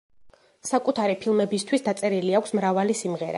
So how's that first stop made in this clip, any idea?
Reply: ejective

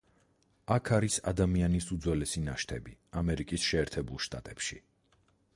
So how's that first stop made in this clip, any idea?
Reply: aspirated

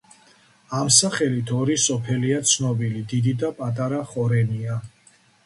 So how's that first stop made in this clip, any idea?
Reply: aspirated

